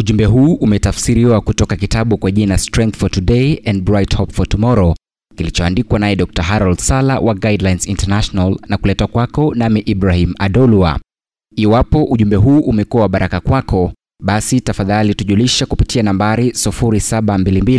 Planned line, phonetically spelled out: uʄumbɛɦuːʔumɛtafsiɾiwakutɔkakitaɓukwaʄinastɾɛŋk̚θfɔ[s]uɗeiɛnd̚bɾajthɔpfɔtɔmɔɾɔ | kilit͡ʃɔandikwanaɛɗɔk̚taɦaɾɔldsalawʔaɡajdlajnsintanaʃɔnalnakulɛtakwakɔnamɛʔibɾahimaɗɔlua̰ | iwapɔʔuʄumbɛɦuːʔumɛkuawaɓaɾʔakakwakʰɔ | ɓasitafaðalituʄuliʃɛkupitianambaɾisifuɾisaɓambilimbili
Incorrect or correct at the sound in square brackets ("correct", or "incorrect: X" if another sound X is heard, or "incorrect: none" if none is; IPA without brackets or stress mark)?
incorrect: t